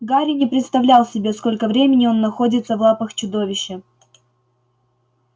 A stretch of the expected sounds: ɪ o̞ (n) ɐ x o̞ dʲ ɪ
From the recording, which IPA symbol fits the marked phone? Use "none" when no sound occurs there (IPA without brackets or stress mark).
nː